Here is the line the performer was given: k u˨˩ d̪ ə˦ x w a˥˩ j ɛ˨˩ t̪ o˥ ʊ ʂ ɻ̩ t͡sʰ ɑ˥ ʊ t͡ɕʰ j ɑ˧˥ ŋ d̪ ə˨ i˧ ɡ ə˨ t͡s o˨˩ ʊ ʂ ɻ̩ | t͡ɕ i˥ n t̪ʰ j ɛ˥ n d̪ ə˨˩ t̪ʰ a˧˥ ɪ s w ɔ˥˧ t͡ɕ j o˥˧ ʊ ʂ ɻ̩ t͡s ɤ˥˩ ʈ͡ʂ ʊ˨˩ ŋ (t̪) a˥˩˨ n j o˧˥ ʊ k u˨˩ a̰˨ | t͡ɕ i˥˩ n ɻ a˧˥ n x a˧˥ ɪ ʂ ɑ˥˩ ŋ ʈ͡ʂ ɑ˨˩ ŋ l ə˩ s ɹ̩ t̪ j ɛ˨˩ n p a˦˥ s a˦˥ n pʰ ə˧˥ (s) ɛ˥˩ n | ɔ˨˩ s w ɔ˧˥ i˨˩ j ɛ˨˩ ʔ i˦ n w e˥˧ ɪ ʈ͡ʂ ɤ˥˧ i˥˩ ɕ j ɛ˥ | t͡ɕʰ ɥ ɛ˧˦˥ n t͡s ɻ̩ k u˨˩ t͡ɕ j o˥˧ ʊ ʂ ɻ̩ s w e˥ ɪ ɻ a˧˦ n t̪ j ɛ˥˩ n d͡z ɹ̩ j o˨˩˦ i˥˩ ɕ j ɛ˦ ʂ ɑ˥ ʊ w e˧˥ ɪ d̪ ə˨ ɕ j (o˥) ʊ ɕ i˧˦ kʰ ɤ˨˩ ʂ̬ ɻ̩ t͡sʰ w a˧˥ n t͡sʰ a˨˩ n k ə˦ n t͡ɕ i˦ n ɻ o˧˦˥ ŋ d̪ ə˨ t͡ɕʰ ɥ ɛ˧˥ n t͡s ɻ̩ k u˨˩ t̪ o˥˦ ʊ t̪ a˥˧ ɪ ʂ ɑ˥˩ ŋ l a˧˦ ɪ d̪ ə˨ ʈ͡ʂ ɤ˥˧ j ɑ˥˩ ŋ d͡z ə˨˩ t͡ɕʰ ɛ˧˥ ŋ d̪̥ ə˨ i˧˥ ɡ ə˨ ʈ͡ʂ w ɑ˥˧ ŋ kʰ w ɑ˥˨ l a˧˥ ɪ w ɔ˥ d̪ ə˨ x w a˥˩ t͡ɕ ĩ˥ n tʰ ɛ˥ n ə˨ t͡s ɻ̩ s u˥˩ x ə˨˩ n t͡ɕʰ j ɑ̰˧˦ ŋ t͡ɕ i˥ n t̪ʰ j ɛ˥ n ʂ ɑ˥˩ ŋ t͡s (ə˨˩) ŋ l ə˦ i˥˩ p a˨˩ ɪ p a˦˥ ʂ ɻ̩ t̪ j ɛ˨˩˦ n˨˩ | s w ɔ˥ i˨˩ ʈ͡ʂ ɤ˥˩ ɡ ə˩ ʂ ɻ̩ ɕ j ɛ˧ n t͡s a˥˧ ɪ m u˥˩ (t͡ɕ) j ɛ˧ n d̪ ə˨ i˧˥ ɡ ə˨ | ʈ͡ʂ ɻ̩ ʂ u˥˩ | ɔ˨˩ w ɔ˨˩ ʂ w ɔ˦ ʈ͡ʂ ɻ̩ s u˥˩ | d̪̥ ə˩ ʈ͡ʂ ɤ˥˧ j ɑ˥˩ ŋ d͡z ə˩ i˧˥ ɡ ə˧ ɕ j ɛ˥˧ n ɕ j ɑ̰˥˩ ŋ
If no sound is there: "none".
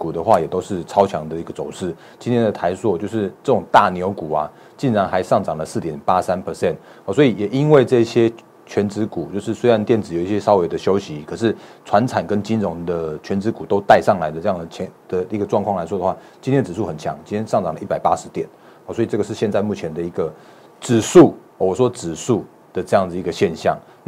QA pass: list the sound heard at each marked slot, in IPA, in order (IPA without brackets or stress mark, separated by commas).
t̪, s, o˥, ɑ˨˩, t͡ɕʰ